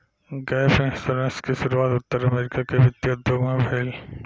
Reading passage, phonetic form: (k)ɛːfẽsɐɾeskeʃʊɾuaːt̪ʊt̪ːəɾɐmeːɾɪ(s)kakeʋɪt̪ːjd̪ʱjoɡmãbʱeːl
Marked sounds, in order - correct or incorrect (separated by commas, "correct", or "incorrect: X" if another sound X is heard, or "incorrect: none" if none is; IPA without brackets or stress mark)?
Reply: incorrect: ɡ, incorrect: none